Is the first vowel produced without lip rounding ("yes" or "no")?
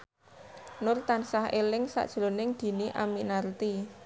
no